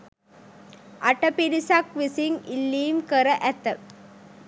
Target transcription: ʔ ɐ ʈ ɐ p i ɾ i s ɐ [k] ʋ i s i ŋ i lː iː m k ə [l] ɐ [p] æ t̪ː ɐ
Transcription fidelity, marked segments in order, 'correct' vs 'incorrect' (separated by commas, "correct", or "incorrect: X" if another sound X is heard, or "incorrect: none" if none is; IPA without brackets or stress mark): correct, incorrect: ɾ, incorrect: ʔ